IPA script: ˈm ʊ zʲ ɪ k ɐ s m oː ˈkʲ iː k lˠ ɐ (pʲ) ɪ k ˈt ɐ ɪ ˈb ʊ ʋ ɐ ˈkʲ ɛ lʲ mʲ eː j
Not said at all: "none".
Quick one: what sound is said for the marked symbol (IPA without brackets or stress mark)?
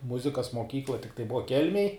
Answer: tʲ